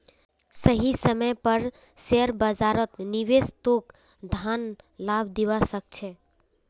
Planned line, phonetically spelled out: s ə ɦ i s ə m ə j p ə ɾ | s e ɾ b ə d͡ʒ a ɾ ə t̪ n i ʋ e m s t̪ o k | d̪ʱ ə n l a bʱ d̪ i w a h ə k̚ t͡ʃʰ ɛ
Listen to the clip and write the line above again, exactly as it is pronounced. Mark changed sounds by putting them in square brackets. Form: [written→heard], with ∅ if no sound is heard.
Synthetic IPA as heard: s ə ɦ i s ə m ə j p ə ɾ | s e ɾ b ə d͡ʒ a ɾ ə t̪ n i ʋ e [m→∅] s t̪ o k | d̪ʱ [ə→a] n l a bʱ d̪ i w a [h→s] ə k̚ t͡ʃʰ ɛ